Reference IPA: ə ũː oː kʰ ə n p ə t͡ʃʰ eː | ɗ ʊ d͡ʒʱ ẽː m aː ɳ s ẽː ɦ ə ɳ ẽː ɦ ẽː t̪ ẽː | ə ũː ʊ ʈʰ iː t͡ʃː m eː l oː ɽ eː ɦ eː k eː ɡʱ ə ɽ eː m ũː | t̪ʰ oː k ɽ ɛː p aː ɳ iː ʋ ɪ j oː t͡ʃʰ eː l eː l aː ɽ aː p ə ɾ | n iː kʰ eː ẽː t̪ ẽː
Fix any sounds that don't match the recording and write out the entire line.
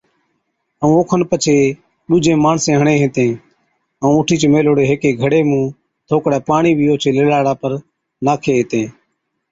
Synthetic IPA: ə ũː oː kʰ ə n p ə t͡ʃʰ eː | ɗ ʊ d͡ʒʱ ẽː m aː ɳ s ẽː ɦ ə ɳ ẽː ɦ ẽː t̪ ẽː | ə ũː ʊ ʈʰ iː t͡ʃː m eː l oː ɽ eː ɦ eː k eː ɡʱ ə ɽ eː m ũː | t̪ʰ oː k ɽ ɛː p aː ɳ iː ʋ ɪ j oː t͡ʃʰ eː l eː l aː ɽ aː p ə ɾ | n aː kʰ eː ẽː t̪ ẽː